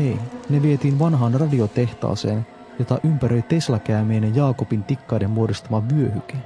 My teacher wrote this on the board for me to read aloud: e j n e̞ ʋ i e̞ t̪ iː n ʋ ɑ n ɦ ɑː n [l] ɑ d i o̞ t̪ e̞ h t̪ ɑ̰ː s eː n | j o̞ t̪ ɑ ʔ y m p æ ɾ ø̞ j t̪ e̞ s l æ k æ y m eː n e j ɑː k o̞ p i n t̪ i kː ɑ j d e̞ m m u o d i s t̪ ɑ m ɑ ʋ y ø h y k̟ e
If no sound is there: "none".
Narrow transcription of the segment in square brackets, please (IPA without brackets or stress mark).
r